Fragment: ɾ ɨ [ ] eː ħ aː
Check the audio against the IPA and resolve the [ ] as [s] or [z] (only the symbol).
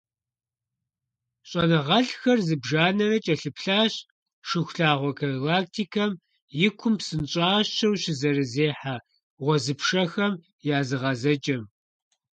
z